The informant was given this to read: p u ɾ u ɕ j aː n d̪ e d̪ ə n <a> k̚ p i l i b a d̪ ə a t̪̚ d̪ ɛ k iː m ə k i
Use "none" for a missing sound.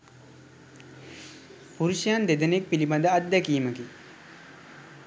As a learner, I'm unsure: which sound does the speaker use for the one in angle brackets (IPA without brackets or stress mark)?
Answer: e